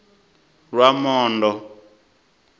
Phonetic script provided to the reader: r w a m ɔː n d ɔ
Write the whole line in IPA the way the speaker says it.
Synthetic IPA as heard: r w a m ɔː n d ɔ